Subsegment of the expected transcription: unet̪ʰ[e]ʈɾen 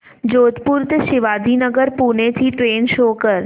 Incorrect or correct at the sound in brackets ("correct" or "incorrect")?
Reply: incorrect